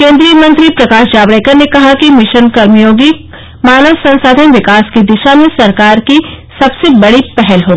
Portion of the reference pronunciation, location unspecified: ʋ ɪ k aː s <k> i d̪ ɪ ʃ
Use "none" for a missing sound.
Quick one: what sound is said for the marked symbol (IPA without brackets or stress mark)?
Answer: k